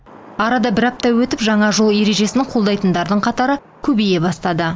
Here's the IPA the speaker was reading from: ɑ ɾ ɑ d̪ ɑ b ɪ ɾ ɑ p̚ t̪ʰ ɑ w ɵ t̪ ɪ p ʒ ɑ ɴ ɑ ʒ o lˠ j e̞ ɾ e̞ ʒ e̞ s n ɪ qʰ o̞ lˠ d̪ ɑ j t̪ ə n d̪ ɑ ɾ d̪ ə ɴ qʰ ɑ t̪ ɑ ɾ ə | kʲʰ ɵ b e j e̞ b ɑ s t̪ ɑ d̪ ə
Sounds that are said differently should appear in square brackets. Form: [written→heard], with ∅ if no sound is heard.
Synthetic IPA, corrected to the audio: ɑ ɾ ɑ d̪ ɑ b ɪ ɾ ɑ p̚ [t̪ʰ→t̪] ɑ w ɵ t̪ ɪ p ʒ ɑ ɴ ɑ ʒ o lˠ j e̞ ɾ e̞ ʒ e̞ s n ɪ qʰ o̞ lˠ d̪ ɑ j t̪ ə n d̪ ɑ ɾ d̪ ə ɴ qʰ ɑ t̪ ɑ ɾ ə | kʲʰ ɵ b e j e̞ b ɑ s t̪ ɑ d̪ ə

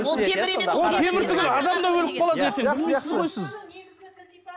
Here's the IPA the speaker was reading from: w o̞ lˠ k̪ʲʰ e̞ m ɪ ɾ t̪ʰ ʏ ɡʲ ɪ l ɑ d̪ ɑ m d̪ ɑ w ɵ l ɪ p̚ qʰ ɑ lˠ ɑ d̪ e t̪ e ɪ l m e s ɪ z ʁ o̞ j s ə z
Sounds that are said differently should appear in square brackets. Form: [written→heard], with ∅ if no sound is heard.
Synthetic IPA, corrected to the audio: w o̞ lˠ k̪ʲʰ e̞ m ɪ ɾ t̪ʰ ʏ ɡʲ ɪ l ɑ d̪ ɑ m d̪ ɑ w ɵ l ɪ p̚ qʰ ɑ lˠ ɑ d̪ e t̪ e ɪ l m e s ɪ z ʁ o̞ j s ə z

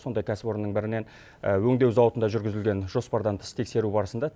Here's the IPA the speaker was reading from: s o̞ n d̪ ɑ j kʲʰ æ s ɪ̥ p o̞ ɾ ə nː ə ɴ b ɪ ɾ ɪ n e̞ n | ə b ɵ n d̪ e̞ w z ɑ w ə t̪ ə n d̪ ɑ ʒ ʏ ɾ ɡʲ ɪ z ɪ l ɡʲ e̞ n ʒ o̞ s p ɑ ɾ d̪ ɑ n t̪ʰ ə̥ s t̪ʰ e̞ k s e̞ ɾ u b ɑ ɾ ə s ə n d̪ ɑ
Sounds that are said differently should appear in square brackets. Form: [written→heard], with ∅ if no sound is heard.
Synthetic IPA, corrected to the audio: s o̞ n d̪ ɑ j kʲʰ æ s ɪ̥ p o̞ ɾ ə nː ə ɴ b ɪ ɾ ɪ n e̞ n | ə [b→w] ɵ [n→ŋ] d̪ e̞ w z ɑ w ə t̪ ə n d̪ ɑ ʒ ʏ ɾ ɡʲ ɪ z ɪ l ɡʲ e̞ n ʒ o̞ s p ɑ ɾ d̪ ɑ n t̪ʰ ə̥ s t̪ʰ e̞ k s e̞ ɾ u b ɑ ɾ ə s ə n d̪ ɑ

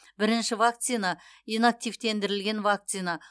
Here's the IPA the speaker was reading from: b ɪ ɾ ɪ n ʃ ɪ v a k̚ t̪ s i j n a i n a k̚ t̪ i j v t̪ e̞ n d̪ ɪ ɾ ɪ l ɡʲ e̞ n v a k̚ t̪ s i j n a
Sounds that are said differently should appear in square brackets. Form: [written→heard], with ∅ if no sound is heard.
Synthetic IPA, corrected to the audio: b ɪ ɾ ɪ n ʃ ɪ v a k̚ t̪ s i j n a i n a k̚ t̪ i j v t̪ e̞ n d̪ ɪ ɾ ɪ l ɡʲ e̞ n v a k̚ t̪ s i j n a

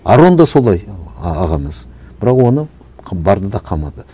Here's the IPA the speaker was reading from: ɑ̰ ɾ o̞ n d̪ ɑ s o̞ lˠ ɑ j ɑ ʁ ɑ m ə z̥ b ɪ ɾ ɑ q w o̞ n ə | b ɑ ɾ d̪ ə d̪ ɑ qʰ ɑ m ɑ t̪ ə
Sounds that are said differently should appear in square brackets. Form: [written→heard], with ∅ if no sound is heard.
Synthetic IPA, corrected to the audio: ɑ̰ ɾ o̞ n d̪ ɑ s o̞ lˠ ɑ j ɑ ʁ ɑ m ə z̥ b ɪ ɾ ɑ q w o̞ n ə | b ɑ ɾ d̪ ə d̪ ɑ qʰ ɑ m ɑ [t̪→d̪] ə

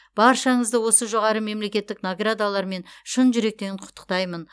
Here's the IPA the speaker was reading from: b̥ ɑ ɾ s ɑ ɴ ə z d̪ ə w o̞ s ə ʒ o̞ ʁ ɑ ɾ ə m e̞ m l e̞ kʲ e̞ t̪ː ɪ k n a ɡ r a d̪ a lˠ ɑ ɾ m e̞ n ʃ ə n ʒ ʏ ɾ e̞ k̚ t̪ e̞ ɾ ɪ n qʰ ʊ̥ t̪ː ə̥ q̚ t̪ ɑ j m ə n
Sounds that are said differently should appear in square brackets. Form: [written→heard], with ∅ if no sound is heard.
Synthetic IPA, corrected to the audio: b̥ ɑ ɾ [s→ʃ] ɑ ɴ ə z d̪ ə w o̞ s ə ʒ o̞ ʁ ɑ ɾ ə m e̞ m l e̞ kʲ e̞ t̪ː ɪ k n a ɡ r a d̪ a lˠ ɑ ɾ m e̞ n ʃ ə n ʒ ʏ ɾ e̞ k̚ t̪ e̞ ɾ ɪ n qʰ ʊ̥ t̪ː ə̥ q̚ t̪ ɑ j m ə n

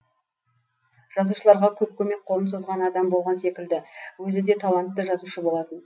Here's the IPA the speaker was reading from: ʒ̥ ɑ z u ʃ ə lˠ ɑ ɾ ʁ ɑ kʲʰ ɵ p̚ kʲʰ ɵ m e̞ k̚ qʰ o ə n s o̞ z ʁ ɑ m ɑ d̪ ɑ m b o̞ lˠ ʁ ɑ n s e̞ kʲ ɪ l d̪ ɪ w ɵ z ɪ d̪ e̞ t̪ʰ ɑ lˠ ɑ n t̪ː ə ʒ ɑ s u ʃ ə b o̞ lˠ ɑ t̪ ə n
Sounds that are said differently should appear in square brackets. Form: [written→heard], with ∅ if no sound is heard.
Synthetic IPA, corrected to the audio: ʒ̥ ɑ z u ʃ ə lˠ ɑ ɾ ʁ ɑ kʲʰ ɵ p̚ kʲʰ ɵ m e̞ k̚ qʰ o ə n s o̞ z ʁ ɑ [m→n] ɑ d̪ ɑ m b o̞ lˠ ʁ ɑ n s e̞ kʲ ɪ l d̪ ɪ w ɵ z ɪ d̪ e̞ t̪ʰ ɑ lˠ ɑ n t̪ː ə ʒ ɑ [s→z] u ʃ ə b o̞ lˠ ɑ t̪ ə n

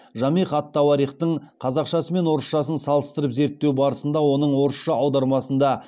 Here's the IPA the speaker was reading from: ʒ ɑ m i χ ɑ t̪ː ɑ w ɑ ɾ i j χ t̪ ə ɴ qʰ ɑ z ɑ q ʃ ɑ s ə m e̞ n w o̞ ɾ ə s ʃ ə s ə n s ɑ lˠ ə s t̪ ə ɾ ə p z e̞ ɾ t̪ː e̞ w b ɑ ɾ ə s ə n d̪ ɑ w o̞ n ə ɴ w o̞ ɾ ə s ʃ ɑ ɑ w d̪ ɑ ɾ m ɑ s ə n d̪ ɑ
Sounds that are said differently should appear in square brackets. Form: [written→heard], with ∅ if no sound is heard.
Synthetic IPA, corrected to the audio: ʒ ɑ m i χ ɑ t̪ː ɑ w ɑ ɾ i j χ t̪ ə ɴ qʰ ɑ z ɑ q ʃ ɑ s ə m e̞ n w o̞ ɾ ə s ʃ [ə→ɑ] s ə n s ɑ lˠ ə s t̪ ə ɾ ə p z e̞ ɾ t̪ː e̞ w b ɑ ɾ ə s ə n d̪ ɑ w o̞ n ə ɴ w o̞ ɾ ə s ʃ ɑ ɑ w d̪ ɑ ɾ m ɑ s ə n d̪ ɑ

